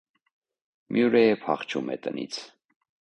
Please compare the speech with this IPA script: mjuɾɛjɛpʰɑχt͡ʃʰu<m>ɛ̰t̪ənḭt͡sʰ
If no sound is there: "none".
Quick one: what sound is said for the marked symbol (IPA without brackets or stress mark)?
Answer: m